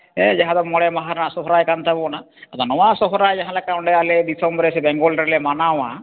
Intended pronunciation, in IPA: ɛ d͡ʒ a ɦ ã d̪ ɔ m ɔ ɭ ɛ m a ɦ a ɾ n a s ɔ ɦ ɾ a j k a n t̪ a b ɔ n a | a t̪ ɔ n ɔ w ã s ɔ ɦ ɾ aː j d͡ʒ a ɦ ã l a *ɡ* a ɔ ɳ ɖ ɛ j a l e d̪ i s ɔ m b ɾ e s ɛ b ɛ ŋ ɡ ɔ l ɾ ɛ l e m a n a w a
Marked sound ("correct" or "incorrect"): incorrect